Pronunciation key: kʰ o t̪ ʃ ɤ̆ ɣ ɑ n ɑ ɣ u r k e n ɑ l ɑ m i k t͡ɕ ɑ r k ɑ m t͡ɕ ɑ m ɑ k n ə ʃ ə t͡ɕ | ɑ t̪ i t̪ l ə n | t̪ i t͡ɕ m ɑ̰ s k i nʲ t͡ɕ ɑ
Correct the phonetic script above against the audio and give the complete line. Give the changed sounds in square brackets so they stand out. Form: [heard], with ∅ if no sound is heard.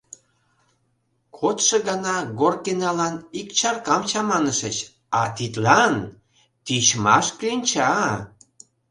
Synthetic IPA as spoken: kʰ o t̪ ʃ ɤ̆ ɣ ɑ n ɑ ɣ [o] r k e n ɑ l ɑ [n] i k t͡ɕ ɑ r k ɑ m t͡ɕ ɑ m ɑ [∅] n ə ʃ ə t͡ɕ | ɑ t̪ i t̪ l [ɑ] n | t̪ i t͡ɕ m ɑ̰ [ʃ] k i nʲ t͡ɕ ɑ